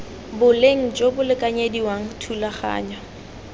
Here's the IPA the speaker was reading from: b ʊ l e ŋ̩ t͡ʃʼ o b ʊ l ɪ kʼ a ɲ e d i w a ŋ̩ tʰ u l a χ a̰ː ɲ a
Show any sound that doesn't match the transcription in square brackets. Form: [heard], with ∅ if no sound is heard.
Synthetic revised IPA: b ʊ l e ŋ̩ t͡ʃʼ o b ʊ l ɪ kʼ a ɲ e d i w a ŋ̩ tʰ u l a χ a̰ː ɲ a